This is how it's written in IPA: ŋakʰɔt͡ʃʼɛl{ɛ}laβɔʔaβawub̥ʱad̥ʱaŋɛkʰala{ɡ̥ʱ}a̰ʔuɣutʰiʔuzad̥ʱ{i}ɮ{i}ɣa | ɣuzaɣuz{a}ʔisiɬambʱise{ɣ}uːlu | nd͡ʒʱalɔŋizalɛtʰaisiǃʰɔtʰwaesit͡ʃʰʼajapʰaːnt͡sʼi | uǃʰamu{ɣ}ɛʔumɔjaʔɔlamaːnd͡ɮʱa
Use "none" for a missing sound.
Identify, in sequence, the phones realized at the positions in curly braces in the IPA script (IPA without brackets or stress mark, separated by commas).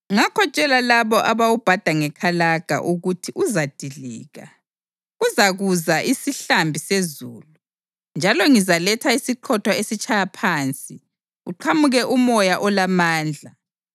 a, ɡ̥ʱ, i, iː, a, z, ɣ